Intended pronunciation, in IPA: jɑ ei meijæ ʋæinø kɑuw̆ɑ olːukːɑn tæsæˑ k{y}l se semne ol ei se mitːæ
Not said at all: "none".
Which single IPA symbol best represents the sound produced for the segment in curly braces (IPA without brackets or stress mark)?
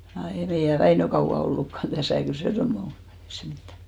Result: y